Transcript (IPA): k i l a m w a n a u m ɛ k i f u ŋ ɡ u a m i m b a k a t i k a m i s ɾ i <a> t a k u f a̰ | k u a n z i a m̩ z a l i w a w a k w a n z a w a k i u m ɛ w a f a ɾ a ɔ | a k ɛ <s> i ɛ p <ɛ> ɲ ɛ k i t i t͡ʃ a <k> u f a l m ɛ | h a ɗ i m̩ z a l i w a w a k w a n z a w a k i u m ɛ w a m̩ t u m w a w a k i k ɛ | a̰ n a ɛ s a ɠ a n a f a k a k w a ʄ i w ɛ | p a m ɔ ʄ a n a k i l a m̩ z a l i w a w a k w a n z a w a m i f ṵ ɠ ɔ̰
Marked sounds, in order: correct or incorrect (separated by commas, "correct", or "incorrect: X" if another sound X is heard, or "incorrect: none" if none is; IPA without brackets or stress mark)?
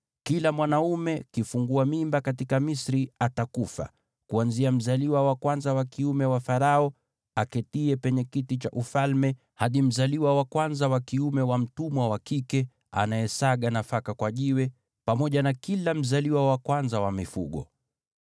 correct, incorrect: t, correct, incorrect: ʔ